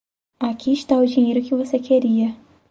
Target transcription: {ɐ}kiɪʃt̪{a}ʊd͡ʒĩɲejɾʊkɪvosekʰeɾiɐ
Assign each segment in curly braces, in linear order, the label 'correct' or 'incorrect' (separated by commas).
incorrect, correct